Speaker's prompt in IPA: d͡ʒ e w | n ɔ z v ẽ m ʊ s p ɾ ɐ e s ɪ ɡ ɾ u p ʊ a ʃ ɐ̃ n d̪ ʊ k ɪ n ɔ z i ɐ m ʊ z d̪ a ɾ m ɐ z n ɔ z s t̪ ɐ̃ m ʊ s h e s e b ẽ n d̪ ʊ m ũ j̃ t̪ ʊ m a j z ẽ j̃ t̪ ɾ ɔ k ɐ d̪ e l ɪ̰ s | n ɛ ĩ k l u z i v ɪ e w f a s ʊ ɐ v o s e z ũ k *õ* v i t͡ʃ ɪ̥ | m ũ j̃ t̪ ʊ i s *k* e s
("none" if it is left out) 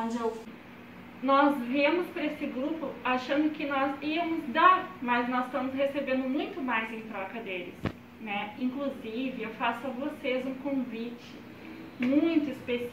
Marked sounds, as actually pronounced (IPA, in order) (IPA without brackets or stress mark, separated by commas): õ, p